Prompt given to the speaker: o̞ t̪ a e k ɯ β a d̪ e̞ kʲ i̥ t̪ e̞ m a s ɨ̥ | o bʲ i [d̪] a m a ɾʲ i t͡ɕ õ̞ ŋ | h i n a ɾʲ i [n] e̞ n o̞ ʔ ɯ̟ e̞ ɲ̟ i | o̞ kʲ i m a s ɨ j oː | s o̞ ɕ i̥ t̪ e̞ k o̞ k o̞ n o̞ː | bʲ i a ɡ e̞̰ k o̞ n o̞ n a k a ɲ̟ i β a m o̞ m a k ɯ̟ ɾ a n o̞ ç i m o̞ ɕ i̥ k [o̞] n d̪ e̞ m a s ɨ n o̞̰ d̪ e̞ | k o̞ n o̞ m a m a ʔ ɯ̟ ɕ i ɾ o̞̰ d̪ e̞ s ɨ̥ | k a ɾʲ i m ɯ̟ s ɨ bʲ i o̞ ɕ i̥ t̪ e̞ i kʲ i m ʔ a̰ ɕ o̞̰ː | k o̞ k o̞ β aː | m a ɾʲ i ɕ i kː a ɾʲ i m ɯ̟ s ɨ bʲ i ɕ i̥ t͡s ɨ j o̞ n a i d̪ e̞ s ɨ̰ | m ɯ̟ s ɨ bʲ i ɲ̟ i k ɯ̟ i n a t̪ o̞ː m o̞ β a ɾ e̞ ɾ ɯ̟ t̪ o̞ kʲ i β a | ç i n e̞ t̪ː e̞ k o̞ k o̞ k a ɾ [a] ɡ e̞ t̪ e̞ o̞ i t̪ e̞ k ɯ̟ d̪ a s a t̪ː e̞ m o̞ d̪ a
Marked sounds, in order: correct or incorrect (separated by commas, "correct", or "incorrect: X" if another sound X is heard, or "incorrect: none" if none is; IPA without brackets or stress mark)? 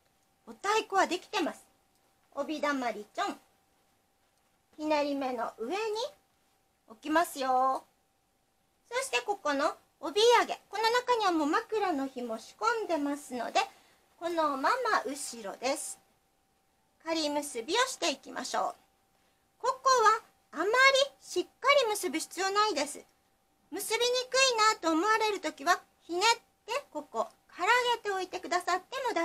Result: correct, incorrect: m, incorrect: õ̞, correct